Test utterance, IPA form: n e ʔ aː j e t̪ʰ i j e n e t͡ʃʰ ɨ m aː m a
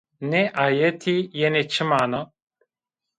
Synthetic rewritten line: n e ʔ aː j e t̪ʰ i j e n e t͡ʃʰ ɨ m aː n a